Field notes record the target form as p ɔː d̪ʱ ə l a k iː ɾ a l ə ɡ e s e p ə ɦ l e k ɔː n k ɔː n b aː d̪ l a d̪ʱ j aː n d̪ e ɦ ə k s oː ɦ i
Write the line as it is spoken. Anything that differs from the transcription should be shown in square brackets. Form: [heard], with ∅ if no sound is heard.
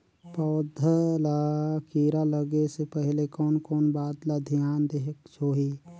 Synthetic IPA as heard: p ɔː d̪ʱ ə l a k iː ɾ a l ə ɡ e s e p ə ɦ l e k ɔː n k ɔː n b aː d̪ l a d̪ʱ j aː n d̪ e ɦ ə k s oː ɦ i